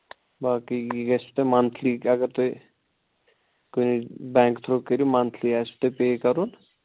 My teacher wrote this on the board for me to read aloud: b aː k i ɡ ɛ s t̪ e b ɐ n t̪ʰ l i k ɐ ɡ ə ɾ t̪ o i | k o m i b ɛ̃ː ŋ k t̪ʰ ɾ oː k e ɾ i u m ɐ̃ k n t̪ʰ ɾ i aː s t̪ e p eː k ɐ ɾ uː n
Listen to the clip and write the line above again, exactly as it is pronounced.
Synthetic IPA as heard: b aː k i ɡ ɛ s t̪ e m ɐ n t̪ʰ l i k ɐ ɡ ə ɾ t̪ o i | k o n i b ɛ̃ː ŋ k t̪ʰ ɾ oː k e ɾ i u m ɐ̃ n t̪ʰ l i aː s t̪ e p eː k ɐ ɾ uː n